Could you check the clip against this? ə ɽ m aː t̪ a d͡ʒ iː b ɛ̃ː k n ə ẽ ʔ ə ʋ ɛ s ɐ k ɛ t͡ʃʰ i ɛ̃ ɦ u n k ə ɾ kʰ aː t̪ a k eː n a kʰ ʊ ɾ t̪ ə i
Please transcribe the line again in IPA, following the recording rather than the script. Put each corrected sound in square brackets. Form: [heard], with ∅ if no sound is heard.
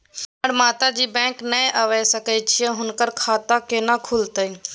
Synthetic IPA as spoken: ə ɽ m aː t̪ a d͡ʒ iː b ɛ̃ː k n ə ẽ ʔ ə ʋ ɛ s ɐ k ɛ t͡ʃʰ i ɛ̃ ɦ [ʊ] n k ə ɾ kʰ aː t̪ a k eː n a kʰ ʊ [l] t̪ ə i